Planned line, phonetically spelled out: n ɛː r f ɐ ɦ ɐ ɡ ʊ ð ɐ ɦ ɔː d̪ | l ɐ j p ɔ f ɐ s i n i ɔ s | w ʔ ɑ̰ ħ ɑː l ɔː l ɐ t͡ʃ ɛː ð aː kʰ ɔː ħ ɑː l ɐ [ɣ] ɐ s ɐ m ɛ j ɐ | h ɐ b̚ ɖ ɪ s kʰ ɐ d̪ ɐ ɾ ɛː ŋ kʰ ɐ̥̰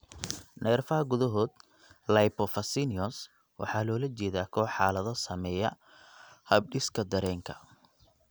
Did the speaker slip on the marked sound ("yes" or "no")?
yes